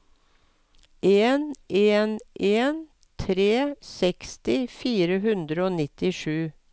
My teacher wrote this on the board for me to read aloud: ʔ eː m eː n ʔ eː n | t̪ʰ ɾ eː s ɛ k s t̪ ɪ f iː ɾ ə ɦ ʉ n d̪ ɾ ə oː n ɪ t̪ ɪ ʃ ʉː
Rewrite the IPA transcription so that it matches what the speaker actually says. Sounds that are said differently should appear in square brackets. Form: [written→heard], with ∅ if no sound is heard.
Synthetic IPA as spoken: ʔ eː [m→n] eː n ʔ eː n | t̪ʰ ɾ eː s ɛ k s t̪ ɪ f iː ɾ ə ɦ ʉ n d̪ ɾ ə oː n ɪ t̪ ɪ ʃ ʉː